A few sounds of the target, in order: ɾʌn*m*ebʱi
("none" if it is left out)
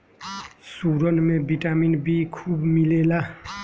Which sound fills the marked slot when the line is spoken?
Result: m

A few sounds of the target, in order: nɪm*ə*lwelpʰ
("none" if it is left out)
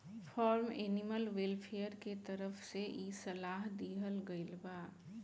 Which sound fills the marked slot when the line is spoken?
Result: ə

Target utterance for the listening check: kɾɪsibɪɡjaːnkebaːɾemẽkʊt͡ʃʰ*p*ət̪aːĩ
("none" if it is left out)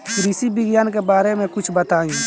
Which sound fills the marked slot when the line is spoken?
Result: b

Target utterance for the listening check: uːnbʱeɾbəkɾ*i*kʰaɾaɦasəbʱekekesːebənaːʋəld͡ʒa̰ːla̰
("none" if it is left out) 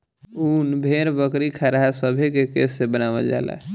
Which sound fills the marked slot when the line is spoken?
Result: i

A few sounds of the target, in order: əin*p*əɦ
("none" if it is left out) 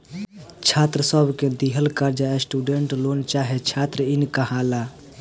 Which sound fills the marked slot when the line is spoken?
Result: k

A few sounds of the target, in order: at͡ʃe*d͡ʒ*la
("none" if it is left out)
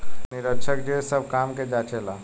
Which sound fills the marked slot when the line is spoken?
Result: none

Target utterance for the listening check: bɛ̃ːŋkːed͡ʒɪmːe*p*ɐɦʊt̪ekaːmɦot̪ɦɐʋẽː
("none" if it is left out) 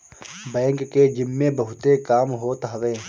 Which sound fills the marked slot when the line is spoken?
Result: b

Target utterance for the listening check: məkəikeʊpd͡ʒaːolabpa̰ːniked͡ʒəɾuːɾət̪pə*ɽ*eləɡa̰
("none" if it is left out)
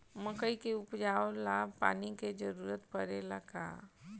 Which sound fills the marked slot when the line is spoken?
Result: ɾ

